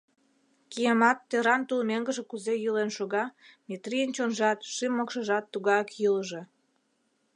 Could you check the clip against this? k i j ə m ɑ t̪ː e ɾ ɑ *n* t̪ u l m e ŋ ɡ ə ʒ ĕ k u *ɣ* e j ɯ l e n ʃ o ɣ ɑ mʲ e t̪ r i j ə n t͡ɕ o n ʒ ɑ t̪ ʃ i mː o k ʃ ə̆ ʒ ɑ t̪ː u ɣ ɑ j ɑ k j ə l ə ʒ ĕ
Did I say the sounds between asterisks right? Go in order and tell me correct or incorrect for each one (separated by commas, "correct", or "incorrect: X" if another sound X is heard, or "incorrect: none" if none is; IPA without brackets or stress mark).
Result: correct, incorrect: z